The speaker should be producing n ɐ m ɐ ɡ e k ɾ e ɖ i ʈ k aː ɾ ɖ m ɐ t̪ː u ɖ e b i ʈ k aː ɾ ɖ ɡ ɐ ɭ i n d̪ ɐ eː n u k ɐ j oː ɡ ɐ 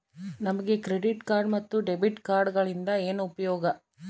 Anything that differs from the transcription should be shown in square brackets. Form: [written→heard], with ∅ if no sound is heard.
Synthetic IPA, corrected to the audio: n ɐ m ɐ ɡ e k ɾ e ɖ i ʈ k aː ɾ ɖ m ɐ t̪ː u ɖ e b i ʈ k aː ɾ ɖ ɡ ɐ ɭ i n d̪ ɐ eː n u [k→p] ɐ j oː ɡ ɐ